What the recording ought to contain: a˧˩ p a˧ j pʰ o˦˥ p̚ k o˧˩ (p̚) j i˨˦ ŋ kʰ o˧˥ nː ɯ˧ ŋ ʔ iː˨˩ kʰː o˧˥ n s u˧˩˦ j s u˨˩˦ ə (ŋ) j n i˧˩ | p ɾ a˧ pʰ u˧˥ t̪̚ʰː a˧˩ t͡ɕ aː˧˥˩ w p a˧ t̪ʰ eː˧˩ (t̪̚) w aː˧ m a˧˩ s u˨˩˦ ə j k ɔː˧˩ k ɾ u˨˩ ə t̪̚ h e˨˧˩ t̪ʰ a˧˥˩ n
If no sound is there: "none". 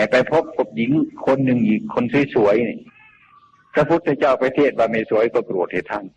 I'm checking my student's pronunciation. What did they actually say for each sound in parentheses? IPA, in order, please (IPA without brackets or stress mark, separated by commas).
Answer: p̚, none, t̪̚